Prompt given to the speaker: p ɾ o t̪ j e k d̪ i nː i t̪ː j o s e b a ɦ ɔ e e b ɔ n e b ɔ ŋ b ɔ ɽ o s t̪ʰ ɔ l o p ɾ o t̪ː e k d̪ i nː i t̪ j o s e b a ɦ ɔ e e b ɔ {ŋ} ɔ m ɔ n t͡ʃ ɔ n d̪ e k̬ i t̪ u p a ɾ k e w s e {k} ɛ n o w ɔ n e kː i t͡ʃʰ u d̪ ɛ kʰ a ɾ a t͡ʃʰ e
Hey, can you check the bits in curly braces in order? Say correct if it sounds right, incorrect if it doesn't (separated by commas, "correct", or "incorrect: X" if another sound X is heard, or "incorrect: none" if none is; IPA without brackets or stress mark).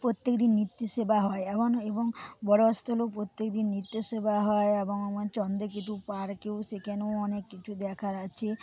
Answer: correct, correct